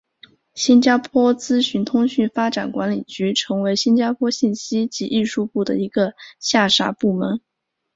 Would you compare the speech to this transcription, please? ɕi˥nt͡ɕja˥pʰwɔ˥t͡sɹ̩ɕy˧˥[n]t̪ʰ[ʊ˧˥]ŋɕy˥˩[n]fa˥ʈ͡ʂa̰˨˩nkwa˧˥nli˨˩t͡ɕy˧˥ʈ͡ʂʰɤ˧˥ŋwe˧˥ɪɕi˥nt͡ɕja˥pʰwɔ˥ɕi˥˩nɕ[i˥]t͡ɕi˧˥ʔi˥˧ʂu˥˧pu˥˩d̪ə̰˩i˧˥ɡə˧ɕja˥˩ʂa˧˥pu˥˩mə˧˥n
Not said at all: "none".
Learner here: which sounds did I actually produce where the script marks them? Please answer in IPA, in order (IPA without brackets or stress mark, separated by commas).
n, ʊ˥, n, i˥